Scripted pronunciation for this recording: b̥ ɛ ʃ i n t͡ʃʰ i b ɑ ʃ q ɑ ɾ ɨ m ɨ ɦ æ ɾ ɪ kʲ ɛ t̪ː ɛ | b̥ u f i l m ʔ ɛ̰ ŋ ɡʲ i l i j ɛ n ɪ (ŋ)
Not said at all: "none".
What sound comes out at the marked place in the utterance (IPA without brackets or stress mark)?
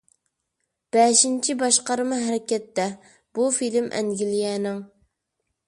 ŋ